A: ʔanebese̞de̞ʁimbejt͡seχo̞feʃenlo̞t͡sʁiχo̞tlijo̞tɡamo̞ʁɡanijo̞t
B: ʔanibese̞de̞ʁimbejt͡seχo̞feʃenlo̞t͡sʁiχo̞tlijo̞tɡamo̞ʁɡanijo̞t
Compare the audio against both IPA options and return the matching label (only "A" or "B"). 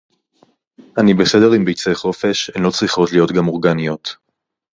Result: B